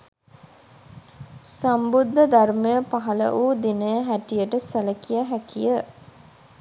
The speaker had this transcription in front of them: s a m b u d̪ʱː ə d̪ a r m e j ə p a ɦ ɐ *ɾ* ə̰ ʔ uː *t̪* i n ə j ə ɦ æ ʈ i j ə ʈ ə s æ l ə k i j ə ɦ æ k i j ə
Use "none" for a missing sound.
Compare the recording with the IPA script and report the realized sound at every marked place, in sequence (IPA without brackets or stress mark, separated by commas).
l, d̪